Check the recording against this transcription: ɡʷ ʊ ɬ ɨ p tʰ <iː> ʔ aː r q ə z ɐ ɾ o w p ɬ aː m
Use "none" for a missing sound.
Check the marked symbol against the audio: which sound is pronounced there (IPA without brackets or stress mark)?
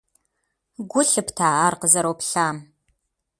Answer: aː